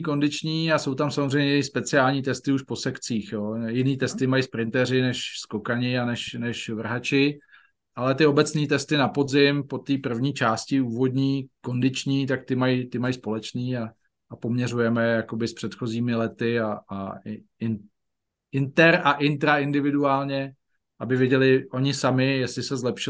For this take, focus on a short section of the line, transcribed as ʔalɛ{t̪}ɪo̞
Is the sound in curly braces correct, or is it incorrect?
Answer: correct